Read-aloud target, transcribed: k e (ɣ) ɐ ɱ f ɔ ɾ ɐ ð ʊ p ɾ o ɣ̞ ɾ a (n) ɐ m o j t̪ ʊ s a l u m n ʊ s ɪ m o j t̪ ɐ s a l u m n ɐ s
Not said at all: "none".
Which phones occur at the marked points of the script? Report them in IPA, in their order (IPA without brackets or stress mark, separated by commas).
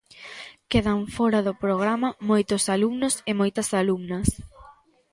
ð, m